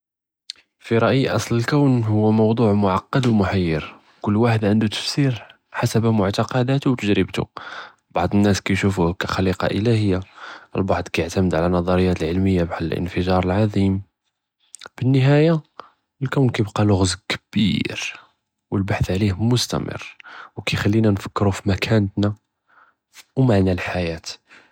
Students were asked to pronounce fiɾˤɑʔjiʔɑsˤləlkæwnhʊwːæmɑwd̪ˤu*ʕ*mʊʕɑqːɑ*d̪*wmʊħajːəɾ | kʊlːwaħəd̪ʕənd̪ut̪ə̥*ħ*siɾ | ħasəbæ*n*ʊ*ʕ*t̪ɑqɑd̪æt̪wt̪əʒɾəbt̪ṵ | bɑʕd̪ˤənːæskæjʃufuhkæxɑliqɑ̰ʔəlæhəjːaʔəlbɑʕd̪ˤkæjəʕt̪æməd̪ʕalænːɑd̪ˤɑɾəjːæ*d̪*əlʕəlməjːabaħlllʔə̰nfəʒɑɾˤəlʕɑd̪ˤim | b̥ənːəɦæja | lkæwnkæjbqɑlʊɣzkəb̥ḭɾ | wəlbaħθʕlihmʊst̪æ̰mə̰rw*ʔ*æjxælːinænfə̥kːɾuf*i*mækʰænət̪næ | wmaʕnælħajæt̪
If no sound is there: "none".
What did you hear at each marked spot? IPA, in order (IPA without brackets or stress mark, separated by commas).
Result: ʕ, d̪, f, m, ʕ, t̪, k, i